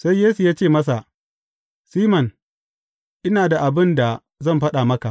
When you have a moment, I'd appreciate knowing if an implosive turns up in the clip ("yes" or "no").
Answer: yes